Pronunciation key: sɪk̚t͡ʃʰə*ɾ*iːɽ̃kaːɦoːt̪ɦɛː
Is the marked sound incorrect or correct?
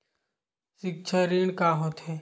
correct